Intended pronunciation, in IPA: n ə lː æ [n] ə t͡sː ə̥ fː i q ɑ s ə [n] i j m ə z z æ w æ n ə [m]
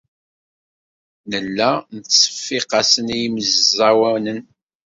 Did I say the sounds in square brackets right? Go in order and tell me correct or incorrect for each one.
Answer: correct, correct, incorrect: n

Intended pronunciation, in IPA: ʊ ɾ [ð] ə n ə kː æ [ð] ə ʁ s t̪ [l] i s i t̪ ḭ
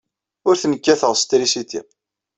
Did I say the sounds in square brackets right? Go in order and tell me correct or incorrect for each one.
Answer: incorrect: θ, incorrect: θ, incorrect: ɾ

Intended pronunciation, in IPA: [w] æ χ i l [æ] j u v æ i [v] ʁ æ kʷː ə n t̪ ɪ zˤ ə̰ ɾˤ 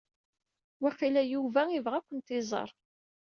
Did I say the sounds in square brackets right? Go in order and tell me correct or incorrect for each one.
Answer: correct, correct, correct

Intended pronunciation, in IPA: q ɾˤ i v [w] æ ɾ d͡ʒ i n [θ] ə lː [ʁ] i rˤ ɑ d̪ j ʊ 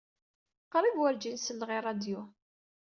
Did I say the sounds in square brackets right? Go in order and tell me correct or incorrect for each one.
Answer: correct, incorrect: s, correct

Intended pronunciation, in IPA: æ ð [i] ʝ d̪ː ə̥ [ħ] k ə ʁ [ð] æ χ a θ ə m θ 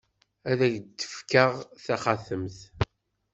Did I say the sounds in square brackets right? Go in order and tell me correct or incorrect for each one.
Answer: incorrect: æ, incorrect: f, incorrect: θ

